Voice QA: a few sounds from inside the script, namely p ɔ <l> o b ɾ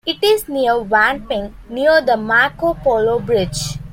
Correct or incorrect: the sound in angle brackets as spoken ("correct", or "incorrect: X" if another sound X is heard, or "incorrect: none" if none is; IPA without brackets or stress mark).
correct